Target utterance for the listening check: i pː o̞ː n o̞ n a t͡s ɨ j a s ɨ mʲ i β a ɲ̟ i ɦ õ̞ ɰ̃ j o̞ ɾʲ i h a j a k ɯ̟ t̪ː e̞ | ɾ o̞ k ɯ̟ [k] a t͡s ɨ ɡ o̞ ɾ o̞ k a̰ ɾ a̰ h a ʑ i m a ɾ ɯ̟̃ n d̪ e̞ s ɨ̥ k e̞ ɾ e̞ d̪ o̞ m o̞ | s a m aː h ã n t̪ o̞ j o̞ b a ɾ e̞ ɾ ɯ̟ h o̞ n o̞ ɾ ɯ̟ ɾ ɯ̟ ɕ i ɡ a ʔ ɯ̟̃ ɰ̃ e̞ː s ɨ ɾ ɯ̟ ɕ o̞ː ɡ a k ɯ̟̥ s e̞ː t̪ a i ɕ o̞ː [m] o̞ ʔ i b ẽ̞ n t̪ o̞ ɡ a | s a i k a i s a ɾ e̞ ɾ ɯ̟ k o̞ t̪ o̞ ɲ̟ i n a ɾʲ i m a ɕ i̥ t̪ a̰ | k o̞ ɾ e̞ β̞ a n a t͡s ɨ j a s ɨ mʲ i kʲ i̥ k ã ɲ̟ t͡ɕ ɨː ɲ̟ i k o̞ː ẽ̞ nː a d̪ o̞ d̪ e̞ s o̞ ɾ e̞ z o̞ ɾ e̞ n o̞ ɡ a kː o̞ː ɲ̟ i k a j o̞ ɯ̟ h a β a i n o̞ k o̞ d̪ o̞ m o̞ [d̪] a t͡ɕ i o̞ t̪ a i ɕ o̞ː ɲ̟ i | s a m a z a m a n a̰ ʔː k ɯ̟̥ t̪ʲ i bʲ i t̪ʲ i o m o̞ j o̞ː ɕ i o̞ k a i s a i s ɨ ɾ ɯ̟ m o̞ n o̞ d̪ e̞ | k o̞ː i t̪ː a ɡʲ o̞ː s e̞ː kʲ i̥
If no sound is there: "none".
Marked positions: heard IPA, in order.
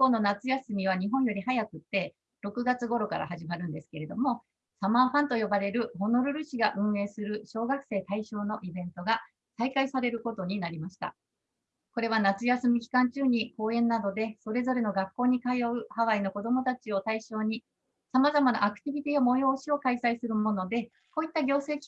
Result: ɡ, n, t̪

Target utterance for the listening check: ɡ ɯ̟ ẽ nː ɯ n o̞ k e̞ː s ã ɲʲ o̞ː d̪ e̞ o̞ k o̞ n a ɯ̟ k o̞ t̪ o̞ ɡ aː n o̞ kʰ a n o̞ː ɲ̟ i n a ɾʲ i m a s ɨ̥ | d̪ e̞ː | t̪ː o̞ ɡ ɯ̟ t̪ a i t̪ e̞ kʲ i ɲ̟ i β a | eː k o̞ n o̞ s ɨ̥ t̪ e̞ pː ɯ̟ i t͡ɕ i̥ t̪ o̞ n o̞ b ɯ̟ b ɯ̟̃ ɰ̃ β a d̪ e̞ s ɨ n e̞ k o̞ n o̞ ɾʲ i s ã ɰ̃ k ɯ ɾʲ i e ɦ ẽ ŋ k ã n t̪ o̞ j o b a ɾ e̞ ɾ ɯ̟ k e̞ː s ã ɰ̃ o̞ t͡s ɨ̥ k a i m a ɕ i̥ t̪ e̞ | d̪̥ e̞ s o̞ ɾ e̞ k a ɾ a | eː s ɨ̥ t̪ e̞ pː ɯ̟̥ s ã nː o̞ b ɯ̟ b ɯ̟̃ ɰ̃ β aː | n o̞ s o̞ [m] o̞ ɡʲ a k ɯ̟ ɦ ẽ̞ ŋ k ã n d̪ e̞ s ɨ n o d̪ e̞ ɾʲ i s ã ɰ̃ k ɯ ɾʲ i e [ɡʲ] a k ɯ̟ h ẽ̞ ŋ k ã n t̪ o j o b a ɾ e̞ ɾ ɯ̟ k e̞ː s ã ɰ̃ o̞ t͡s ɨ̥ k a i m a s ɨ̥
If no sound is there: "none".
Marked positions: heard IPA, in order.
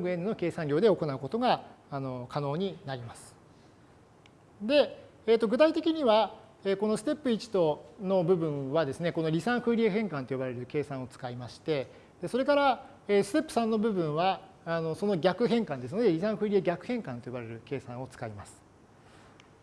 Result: n, ɡʲ

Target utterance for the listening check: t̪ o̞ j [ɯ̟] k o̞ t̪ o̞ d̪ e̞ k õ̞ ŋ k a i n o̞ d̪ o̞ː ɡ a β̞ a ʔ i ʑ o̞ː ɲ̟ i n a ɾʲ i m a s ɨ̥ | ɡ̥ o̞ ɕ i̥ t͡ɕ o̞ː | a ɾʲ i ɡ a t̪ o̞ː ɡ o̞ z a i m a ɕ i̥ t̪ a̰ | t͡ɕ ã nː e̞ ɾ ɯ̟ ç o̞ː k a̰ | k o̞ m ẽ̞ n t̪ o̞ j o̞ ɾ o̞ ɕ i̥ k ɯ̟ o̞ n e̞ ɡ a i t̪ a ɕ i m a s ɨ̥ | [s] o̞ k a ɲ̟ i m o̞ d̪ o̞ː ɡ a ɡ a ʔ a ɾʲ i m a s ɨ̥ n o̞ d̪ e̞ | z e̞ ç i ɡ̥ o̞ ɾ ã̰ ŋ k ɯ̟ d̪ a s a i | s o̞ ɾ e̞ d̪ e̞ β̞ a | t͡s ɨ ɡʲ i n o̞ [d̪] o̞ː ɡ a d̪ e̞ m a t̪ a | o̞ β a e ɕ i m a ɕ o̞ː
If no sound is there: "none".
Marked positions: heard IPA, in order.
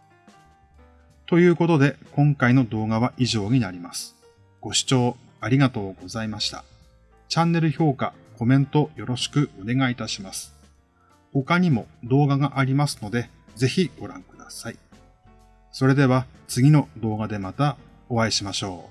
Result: ɯ̟ː, h, d̪

